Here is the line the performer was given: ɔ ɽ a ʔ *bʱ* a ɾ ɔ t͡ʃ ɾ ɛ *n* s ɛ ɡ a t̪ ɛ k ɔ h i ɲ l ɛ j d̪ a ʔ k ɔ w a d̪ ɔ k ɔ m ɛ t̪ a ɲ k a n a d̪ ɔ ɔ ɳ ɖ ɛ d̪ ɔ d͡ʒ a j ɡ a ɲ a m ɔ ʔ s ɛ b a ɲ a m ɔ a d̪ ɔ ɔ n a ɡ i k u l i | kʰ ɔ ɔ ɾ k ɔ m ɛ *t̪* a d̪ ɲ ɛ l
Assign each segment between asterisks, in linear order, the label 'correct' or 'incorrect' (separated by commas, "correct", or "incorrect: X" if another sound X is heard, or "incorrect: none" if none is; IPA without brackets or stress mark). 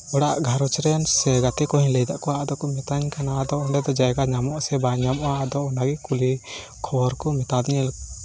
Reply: incorrect: ɡʱ, correct, correct